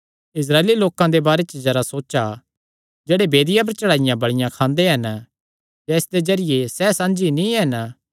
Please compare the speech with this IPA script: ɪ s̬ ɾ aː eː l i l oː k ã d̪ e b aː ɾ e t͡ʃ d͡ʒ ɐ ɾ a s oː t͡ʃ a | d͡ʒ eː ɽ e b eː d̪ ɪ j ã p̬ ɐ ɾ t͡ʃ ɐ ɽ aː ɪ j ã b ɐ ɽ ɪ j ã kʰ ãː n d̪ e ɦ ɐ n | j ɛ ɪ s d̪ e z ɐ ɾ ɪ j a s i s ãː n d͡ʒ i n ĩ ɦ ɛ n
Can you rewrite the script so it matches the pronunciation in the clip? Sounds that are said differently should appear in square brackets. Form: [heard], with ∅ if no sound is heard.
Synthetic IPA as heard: ɪ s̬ ɾ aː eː l i l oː k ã d̪ e b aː ɾ e t͡ʃ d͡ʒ ɐ ɾ a s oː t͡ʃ a | d͡ʒ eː ɽ e b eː d̪ ɪ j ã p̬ ɐ ɾ t͡ʃ ɐ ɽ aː ɪ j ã b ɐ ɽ ɪ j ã kʰ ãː n d̪ e ɦ ɐ n | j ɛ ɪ s d̪ e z ɐ ɾ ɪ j [e] s [ɛ] s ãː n d͡ʒ i n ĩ ɦ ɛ n

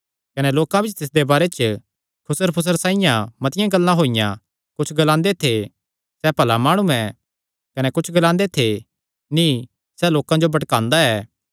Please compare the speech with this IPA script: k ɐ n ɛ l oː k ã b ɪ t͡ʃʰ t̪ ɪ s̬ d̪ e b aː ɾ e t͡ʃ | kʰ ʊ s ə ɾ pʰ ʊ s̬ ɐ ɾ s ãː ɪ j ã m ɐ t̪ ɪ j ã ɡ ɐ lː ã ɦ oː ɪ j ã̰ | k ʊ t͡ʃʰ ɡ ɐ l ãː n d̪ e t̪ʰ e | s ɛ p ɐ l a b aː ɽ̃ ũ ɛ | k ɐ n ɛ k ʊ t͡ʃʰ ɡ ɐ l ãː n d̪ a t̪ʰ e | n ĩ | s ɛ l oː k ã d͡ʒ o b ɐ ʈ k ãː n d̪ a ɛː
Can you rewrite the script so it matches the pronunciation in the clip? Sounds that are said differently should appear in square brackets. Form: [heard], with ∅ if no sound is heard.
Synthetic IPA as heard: k ɐ n ɛ l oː k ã b ɪ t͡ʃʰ t̪ ɪ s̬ d̪ e b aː ɾ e t͡ʃ | kʰ ʊ s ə ɾ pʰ ʊ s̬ [ə] ɾ s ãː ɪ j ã m ɐ t̪ ɪ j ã ɡ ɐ lː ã ɦ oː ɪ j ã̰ | k ʊ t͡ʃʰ ɡ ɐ l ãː n d̪ e t̪ʰ e | s ɛ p ɐ l a [m] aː ɽ̃ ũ ɛ | k ɐ n ɛ k ʊ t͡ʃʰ ɡ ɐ l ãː n d̪ [e] t̪ʰ e | n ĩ | s ɛ l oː k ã d͡ʒ o b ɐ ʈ k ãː n d̪ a ɛː

